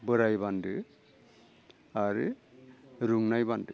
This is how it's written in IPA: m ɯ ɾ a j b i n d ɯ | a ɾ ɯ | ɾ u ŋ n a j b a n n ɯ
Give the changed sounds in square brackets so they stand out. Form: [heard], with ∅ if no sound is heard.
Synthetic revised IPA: [b] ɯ ɾ a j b [a] n d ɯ | a ɾ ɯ | ɾ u ŋ n a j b a n [d] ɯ